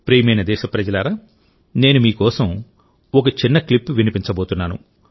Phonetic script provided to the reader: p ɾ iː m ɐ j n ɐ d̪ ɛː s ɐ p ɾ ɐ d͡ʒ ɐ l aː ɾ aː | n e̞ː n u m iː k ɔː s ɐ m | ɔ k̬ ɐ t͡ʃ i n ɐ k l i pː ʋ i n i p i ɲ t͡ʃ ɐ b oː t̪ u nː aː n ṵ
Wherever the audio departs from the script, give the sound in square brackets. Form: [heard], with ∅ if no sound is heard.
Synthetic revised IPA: p ɾ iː m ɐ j n ɐ d̪ ɛː [ʃ] ɐ p ɾ ɐ d͡ʒ ɐ l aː ɾ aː | n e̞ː n u m iː k ɔː s ɐ m | ɔ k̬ ɐ t͡ʃ i [nː] ɐ k l i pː ʋ i n i p i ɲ t͡ʃ ɐ b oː t̪ u nː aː n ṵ